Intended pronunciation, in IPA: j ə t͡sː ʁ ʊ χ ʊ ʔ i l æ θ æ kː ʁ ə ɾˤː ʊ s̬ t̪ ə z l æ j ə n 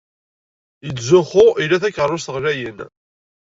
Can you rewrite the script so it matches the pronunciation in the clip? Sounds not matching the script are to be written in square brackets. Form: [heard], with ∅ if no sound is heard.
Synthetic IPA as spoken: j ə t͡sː [z] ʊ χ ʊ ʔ i l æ θ æ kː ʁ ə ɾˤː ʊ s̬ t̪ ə [ʁ] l æ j ə n